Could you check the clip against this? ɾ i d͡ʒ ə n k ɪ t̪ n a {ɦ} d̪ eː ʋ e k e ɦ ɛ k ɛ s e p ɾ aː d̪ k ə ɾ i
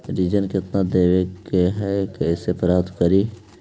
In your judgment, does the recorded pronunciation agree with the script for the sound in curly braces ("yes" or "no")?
no